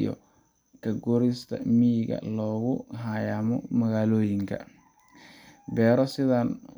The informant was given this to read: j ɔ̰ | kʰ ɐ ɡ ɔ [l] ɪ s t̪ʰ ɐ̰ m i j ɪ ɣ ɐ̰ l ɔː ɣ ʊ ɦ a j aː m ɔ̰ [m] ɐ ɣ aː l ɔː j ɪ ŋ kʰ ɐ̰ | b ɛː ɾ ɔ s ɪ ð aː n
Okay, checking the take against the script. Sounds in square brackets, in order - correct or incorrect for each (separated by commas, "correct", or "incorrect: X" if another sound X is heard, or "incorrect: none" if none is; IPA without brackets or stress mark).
incorrect: ɾ, correct